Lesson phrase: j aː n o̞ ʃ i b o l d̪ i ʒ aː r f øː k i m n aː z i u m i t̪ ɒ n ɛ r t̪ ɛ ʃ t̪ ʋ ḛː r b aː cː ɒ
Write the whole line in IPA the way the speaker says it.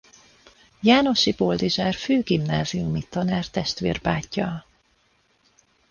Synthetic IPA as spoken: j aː n o̞ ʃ i b o l d̪ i ʒ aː r f øː ɡ i m n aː z i u m i t̪ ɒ n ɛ r t̪ ɛ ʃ t̪ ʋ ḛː r b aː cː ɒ